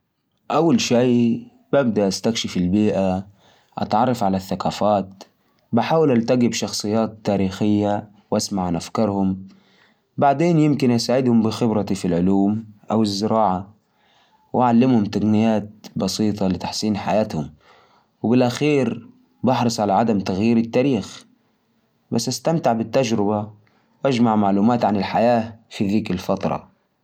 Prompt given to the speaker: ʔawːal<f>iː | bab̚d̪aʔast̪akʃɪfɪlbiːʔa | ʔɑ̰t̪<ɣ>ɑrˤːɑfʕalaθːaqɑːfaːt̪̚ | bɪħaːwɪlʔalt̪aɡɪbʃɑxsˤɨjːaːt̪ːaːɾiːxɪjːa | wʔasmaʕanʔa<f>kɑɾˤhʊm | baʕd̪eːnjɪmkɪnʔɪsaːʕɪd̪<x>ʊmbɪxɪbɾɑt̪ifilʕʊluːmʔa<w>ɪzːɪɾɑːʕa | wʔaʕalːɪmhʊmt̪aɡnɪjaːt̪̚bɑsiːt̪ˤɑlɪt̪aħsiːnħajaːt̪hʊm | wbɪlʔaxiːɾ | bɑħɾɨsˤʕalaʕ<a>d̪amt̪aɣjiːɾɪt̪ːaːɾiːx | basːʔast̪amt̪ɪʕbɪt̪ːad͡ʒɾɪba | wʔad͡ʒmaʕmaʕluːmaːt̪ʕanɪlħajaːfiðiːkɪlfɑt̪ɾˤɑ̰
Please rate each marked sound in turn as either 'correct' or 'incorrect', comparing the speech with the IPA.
incorrect: ʃ, incorrect: ʕ, correct, incorrect: h, correct, correct

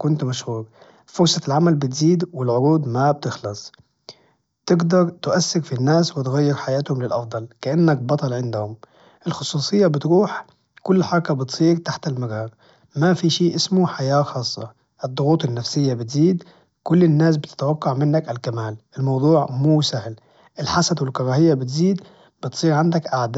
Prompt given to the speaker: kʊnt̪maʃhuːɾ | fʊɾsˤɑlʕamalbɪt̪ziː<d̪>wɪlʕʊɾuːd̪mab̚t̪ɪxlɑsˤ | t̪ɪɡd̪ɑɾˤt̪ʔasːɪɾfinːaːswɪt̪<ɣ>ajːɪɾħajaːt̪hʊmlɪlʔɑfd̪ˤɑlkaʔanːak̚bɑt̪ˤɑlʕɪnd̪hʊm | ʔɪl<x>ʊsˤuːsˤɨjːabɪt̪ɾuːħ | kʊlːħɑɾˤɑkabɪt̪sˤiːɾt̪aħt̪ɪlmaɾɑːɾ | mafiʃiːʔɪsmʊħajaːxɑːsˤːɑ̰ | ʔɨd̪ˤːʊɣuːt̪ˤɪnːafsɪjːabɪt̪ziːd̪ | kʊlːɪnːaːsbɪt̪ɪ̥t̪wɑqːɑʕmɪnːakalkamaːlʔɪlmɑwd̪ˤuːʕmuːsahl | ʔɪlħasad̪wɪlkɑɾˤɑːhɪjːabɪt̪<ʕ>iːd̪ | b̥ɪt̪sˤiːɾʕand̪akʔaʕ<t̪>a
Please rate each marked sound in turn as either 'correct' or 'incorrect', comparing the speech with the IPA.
correct, correct, correct, incorrect: z, incorrect: d̪

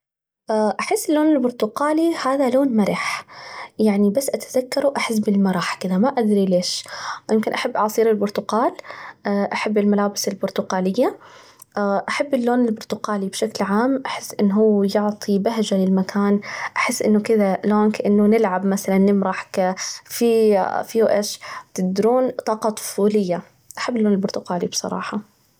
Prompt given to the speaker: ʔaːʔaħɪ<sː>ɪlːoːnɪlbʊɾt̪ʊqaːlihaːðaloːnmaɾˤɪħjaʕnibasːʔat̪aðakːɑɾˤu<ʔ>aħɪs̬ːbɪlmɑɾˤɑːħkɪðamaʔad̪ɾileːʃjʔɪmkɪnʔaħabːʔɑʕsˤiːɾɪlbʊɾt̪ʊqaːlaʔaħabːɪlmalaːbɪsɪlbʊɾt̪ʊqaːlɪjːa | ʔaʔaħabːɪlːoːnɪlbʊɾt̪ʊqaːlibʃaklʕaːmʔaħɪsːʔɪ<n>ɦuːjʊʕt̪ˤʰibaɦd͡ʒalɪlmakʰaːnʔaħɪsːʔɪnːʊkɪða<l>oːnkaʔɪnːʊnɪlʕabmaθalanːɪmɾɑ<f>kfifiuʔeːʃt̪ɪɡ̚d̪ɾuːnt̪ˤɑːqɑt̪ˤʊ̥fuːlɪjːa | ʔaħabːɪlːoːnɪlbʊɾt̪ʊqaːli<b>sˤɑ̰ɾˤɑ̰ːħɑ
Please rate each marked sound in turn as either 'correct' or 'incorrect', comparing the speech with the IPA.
correct, correct, incorrect: nː, correct, incorrect: ħ, correct

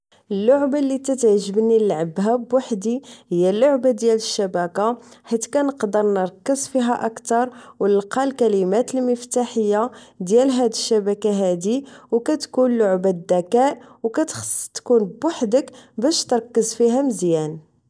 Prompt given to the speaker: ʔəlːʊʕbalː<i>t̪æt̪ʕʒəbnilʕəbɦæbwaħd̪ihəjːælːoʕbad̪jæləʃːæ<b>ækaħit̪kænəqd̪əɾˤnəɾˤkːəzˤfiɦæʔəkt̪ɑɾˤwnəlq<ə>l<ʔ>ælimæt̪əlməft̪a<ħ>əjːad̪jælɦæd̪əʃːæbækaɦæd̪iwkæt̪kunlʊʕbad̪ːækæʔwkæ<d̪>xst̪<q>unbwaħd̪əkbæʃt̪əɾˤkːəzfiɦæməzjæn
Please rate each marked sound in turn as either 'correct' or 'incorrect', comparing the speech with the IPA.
correct, correct, incorrect: ɑ, incorrect: k, correct, incorrect: t̪, incorrect: k

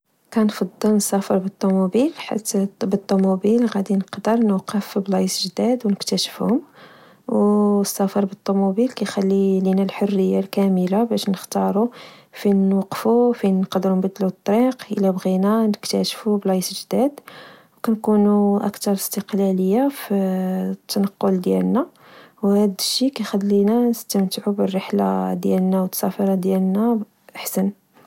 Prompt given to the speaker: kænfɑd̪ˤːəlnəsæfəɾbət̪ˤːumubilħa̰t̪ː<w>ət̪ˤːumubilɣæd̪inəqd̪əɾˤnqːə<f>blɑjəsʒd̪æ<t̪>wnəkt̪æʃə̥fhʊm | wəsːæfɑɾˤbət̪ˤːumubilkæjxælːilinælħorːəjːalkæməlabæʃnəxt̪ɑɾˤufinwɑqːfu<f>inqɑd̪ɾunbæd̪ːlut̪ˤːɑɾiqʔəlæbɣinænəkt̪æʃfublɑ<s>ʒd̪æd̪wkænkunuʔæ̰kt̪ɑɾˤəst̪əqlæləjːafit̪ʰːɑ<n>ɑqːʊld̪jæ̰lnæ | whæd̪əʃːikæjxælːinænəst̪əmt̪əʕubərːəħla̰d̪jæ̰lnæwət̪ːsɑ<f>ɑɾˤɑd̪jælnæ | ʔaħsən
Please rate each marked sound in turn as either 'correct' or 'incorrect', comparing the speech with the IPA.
incorrect: b, correct, incorrect: d̪, correct, correct, correct, correct

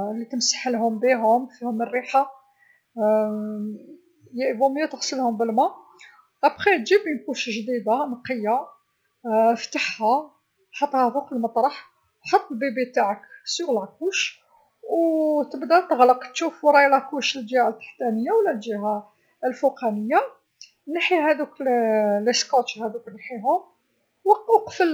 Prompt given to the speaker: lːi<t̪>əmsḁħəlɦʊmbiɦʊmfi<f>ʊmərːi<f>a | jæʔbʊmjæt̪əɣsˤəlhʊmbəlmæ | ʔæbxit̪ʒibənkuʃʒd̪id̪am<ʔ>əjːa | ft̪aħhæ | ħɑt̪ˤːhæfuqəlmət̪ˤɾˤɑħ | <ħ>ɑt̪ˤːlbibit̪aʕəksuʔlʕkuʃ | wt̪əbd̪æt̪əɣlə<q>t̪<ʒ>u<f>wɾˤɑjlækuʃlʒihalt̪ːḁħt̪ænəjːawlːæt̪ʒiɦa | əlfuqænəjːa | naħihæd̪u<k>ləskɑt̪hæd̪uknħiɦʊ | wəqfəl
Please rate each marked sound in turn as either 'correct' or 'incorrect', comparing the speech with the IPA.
correct, incorrect: h, incorrect: ħ, incorrect: q, correct, correct, incorrect: ʃ, correct, correct

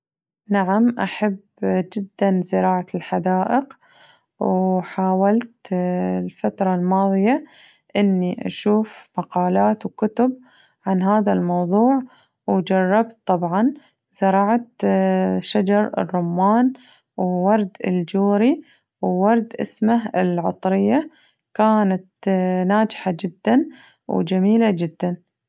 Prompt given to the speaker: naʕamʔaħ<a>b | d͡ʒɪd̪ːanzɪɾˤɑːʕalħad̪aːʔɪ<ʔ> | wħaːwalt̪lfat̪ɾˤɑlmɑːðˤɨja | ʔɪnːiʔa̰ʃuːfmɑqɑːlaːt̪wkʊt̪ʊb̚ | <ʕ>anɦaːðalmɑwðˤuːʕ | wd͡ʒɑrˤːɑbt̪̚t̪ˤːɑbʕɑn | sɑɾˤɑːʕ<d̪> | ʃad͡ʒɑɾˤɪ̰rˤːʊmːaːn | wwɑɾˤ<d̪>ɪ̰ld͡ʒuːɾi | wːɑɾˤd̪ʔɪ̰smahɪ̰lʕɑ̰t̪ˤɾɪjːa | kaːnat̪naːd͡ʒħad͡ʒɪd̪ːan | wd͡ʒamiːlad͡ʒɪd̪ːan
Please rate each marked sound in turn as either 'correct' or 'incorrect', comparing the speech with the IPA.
correct, incorrect: q, correct, incorrect: t̪, correct

